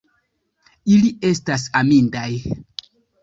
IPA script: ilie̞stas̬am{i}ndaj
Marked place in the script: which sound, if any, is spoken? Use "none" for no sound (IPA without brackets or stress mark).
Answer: i